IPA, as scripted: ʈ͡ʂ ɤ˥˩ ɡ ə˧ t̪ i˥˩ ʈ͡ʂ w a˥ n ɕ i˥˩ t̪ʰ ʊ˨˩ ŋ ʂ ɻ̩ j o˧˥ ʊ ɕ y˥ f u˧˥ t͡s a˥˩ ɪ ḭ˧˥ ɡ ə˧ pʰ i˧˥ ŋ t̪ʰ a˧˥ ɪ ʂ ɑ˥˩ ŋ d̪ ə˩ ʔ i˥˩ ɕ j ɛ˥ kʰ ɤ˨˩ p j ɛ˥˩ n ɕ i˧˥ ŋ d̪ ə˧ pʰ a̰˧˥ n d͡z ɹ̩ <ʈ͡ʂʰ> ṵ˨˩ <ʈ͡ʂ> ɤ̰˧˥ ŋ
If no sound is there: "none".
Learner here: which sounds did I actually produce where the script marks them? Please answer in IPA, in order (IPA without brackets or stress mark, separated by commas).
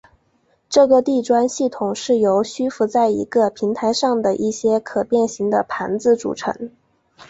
ʈ͡ʂ, ʈ͡ʂʰ